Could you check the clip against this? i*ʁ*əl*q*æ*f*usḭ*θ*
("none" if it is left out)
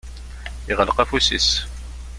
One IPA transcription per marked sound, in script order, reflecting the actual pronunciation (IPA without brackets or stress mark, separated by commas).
ʁ, q, f, s